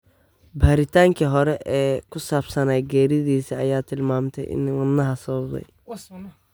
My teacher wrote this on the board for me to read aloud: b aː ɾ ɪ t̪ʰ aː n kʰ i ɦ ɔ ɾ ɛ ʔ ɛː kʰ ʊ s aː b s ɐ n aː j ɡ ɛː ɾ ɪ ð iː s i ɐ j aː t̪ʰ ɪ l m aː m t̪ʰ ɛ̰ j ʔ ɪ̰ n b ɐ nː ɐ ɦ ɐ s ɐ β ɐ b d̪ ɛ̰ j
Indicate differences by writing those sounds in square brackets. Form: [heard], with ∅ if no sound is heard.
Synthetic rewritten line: b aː ɾ ɪ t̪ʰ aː [ŋ] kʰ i ɦ ɔ ɾ ɛ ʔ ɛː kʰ ʊ s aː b s ɐ n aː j ɡ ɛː ɾ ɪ ð iː s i ɐ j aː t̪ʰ ɪ l m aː m t̪ʰ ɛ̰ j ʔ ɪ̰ n [w] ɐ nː ɐ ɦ ɐ s ɐ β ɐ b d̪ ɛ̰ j